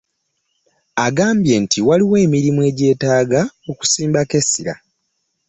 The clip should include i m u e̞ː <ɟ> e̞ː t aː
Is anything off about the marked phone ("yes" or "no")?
no